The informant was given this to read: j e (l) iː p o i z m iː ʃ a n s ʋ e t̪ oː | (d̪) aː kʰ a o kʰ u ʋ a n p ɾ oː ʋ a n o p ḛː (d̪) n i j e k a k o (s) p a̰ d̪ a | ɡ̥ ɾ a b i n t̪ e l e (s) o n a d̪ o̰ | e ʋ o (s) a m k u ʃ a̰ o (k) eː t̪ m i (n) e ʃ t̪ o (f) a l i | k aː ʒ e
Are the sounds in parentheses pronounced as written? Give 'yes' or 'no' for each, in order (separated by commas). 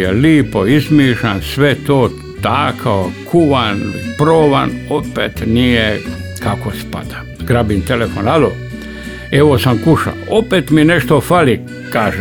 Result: yes, no, no, yes, no, yes, no, yes, yes